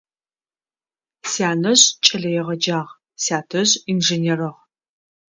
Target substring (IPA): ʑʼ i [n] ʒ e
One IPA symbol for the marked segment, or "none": n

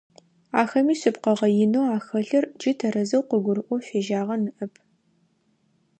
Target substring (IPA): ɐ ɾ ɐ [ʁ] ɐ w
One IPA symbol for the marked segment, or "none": z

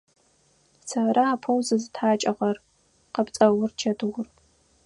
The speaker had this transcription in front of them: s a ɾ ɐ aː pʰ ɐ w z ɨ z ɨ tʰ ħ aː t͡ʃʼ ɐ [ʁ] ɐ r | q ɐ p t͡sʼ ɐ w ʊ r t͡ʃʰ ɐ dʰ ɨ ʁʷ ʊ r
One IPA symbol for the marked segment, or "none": ʁ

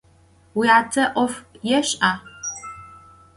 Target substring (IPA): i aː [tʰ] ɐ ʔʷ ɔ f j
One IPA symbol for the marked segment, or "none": tʰ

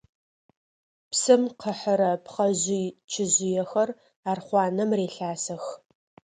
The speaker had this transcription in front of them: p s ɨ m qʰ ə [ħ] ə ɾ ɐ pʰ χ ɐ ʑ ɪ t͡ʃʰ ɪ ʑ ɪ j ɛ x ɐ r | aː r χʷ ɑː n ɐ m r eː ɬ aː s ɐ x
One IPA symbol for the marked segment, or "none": ħ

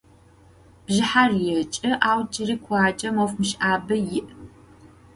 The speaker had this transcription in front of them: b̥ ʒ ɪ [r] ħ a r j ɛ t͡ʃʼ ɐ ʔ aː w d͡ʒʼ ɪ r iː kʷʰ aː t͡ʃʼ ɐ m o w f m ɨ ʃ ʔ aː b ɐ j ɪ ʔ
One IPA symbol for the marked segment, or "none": none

